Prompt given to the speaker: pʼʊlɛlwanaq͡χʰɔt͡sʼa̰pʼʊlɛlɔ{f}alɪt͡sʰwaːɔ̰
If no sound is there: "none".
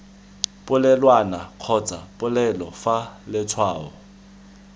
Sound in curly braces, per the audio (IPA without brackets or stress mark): f